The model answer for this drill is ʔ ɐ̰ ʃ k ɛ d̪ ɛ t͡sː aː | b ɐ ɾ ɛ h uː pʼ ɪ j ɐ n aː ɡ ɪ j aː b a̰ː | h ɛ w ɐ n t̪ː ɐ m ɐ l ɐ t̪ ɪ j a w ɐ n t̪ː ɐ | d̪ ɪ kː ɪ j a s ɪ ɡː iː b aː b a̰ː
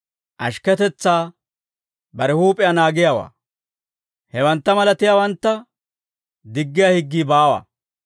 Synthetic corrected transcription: ʔ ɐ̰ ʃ k ɛ t̪ ɛ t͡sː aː | b ɐ ɾ ɛ h uː pʼ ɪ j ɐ n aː ɡ ɪ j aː w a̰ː | h ɛ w ɐ n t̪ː ɐ m ɐ l ɐ t̪ ɪ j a w ɐ n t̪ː ɐ | d̪ ɪ ɡː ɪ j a h ɪ ɡː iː b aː w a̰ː